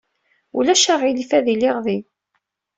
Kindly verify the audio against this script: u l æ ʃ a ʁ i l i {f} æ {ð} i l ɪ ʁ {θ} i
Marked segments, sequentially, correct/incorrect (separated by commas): correct, correct, incorrect